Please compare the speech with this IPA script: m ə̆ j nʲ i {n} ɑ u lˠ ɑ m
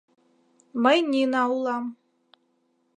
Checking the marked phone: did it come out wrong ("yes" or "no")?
no